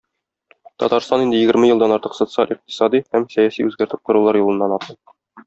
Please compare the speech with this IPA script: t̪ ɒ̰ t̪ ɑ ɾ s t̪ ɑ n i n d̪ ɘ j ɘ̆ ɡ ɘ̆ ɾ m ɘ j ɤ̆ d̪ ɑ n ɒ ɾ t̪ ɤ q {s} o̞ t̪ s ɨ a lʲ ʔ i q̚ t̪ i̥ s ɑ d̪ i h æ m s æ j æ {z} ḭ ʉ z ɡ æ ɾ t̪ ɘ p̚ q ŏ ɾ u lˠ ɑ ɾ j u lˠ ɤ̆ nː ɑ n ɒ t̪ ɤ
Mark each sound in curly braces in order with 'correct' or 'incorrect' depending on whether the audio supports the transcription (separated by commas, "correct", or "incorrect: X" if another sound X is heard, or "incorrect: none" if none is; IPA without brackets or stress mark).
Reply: correct, incorrect: s